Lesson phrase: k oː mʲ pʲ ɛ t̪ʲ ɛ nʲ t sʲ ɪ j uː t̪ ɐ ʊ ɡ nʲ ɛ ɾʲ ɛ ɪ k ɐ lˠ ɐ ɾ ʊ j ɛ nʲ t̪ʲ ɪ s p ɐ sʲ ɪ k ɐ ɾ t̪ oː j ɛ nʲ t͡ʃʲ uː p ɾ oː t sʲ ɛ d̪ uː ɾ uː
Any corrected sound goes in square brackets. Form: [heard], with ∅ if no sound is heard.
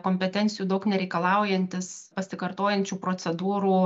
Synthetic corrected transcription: k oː mʲ pʲ ɛ t̪ʲ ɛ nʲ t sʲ ɪ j uː [d̪] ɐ ʊ [k] nʲ ɛ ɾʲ ɛ ɪ k ɐ lˠ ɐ [∅] ʊ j ɛ nʲ t̪ʲ ɪ s p ɐ sʲ ɪ k ɐ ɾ t̪ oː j ɛ nʲ t͡ʃʲ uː p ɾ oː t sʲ ɛ d̪ uː ɾ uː